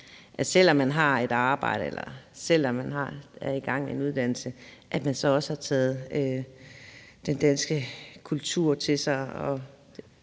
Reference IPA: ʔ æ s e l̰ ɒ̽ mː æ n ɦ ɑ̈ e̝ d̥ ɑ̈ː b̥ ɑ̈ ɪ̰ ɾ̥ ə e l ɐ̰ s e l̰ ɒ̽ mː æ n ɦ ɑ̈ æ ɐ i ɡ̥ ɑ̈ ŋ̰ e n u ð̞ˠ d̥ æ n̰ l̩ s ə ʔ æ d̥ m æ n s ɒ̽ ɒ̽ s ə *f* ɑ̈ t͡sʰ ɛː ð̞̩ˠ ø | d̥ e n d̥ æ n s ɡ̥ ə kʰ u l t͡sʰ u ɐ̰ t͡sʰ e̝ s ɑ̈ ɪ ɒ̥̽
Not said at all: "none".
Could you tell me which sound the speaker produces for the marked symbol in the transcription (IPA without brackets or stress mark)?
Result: h